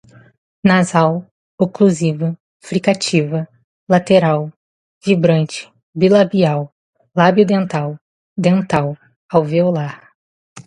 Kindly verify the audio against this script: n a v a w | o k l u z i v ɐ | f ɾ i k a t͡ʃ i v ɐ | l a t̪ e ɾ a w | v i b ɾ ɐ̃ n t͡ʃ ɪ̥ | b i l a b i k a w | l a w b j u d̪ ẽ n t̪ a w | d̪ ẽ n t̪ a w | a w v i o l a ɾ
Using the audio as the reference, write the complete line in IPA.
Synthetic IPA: n a z a w | o k l u z i v ɐ | f ɾ i k a t͡ʃ i v ɐ | l a t̪ e ɾ a w | v i b ɾ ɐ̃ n t͡ʃ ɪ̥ | b i l a b i a w | l a b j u d̪ ẽ n t̪ a w | d̪ ẽ n t̪ a w | a w v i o l a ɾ